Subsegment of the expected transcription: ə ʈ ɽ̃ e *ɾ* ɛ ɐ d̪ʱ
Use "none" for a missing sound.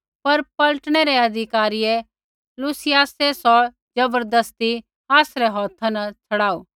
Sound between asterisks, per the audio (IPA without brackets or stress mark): ɾ